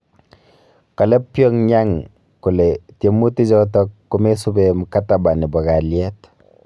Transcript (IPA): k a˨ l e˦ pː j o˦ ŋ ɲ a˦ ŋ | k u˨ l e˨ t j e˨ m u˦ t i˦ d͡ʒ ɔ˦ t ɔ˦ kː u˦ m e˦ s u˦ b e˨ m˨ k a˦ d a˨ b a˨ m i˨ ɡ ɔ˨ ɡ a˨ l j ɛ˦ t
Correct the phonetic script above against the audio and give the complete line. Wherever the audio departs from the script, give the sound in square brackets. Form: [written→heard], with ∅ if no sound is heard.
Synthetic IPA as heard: k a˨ l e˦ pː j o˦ ŋ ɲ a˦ ŋ | k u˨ l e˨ t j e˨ m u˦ t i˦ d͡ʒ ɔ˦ t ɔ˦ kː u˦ m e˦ s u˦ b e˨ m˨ k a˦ [d→t] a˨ b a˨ [m→n] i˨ [ɡ→b] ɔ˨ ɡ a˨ l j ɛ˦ t